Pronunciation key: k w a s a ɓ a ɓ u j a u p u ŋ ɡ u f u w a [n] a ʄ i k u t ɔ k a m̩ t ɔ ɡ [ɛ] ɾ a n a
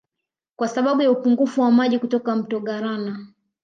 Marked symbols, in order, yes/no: no, no

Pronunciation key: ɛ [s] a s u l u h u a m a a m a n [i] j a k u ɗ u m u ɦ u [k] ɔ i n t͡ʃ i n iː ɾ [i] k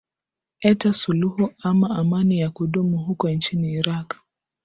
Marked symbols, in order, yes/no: no, yes, yes, no

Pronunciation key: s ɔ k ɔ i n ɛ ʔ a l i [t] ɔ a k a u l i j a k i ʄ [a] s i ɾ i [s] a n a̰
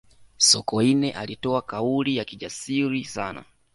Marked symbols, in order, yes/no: yes, yes, yes

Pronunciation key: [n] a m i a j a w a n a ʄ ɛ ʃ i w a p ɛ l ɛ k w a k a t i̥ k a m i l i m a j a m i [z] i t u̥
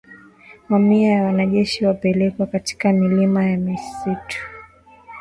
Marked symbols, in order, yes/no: no, no

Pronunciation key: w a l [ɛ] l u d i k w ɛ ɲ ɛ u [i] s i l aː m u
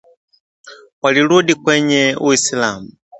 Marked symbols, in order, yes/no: no, yes

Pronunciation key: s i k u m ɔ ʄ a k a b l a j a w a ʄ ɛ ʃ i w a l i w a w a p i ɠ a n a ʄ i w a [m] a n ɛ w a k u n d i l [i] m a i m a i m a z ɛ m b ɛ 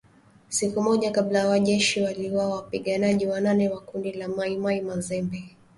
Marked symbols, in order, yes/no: no, no

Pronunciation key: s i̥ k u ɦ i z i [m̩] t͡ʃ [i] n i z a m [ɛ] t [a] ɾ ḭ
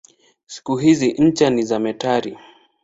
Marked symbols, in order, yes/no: no, no, yes, yes

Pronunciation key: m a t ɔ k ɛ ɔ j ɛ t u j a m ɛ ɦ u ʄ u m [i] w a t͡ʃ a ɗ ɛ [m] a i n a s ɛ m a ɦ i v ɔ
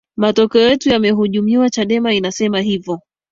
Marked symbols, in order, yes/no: yes, yes

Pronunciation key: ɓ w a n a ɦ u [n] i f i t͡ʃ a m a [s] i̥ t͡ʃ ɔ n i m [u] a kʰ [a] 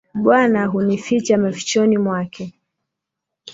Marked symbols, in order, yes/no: yes, no, no, no

